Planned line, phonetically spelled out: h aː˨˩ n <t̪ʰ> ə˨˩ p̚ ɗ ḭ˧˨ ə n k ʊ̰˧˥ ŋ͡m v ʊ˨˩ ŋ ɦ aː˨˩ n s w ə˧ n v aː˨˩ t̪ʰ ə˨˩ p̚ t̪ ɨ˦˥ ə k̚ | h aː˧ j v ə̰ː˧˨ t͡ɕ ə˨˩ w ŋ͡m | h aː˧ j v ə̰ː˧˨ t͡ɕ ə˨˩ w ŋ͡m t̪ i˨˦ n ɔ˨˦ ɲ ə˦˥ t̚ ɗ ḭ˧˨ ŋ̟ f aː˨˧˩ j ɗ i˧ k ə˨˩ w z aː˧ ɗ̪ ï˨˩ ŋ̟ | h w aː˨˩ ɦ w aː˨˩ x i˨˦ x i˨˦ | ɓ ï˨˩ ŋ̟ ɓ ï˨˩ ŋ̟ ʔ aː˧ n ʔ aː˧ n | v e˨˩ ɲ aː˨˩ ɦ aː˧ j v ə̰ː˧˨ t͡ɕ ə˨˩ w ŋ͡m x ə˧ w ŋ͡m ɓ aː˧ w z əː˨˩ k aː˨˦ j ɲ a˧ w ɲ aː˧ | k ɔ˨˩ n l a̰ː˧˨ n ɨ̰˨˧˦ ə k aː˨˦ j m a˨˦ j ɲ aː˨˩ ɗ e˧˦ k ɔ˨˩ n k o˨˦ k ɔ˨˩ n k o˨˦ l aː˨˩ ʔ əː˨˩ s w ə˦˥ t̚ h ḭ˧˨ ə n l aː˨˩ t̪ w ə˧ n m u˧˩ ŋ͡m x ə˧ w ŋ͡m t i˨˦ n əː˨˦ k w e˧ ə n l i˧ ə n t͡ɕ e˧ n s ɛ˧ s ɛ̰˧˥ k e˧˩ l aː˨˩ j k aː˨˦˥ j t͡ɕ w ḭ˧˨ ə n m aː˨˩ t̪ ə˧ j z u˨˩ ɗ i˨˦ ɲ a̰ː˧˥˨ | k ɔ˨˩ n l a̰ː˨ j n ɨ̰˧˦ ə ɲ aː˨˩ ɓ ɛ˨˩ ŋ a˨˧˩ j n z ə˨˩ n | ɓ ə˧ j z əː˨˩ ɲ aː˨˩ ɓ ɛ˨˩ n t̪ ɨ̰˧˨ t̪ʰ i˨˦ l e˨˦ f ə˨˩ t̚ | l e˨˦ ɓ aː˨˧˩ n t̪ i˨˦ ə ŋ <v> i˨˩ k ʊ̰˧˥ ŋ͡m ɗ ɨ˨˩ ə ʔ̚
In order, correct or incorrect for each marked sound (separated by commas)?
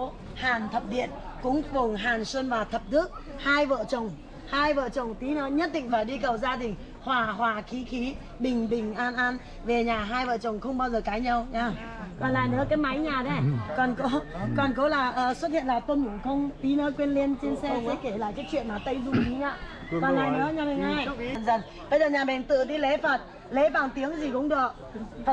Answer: correct, incorrect